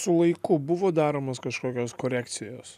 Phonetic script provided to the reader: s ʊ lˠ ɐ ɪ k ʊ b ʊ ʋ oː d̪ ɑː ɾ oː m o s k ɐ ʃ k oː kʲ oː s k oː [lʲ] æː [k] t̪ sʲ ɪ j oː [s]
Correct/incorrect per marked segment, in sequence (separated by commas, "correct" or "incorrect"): incorrect, correct, correct